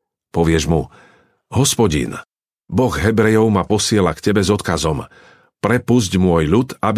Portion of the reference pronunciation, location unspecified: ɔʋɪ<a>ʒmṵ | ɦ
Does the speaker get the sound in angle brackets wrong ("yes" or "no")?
yes